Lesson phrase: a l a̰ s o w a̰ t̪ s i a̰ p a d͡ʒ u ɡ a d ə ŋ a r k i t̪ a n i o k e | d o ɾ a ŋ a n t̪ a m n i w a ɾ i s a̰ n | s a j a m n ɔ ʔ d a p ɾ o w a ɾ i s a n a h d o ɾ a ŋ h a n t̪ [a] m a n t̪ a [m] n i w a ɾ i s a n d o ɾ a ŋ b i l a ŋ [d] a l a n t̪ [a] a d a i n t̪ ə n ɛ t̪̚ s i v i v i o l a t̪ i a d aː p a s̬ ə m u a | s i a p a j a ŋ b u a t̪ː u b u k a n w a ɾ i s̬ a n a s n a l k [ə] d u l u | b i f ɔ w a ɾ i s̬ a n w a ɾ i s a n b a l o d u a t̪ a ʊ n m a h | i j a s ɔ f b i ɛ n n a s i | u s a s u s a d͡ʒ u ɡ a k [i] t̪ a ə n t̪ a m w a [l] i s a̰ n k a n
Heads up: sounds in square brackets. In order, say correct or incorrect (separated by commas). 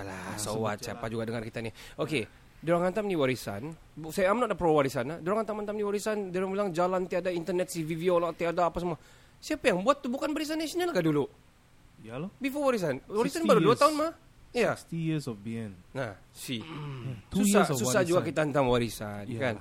correct, correct, incorrect, incorrect, incorrect, correct, incorrect